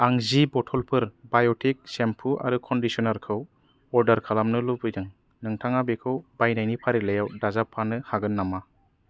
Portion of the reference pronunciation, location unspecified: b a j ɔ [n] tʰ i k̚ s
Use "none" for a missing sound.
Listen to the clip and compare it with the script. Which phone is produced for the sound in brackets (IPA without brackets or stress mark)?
none